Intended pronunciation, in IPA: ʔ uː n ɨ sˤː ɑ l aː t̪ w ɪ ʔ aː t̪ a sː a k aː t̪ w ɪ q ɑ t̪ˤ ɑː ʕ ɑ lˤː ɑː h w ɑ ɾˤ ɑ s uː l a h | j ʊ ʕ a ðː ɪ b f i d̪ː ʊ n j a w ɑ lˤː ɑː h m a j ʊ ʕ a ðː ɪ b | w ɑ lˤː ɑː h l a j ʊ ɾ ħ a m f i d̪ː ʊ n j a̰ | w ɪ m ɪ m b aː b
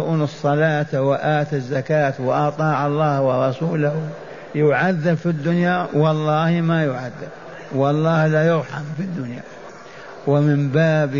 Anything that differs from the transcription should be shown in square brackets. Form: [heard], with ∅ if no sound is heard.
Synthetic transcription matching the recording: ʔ uː n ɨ sˤː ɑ l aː t̪ w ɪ ʔ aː t̪ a [zː] a k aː t̪ w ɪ [ʔ] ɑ t̪ˤ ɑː ʕ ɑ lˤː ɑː h w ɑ ɾˤ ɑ s uː l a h | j ʊ ʕ a ðː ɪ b f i d̪ː ʊ n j a w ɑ lˤː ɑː h m a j ʊ ʕ a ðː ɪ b | w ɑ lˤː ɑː h l a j ʊ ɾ ħ a m f i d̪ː ʊ n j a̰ | w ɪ m ɪ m b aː b